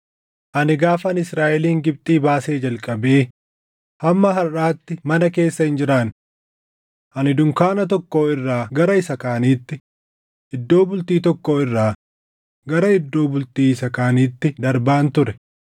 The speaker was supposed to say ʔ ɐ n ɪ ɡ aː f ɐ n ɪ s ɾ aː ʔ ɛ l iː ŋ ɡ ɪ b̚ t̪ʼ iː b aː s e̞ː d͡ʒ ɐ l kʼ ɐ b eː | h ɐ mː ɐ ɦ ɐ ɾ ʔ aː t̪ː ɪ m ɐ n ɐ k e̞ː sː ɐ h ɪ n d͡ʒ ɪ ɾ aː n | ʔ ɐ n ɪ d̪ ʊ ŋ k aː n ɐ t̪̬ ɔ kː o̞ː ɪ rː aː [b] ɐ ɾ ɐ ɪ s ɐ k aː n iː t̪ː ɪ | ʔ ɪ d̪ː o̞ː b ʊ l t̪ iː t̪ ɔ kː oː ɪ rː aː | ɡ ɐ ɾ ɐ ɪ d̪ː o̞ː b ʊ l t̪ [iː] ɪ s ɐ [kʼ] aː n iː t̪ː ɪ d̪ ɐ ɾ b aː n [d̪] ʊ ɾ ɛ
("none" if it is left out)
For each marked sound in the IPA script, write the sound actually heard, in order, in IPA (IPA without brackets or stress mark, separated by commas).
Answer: ɡ, iː, k, t̪